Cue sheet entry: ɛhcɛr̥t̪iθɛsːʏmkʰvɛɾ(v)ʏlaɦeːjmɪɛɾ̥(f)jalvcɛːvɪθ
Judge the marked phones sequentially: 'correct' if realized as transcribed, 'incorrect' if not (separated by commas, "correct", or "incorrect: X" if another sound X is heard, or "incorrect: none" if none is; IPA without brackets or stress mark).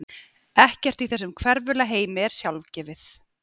correct, incorrect: s